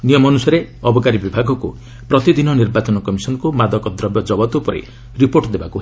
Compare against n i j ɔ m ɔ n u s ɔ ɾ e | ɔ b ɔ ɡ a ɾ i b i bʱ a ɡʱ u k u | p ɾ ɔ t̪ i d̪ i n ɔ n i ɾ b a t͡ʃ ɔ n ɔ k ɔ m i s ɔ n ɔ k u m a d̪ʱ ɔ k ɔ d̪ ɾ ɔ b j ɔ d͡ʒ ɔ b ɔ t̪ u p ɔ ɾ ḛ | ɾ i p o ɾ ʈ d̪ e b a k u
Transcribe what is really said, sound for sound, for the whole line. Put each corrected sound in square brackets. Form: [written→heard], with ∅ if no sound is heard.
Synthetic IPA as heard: n i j ɔ m ɔ n u s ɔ ɾ e | ɔ b ɔ [ɡ→k] a ɾ i b i bʱ a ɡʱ [u→ɔ] k u | p ɾ ɔ t̪ i d̪ i n ɔ n i ɾ b a t͡ʃ ɔ n ɔ k ɔ m i s ɔ n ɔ k u m a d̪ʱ ɔ k ɔ d̪ ɾ ɔ b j ɔ d͡ʒ ɔ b ɔ t̪ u p ɔ ɾ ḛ | ɾ i p o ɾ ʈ d̪ e b a k u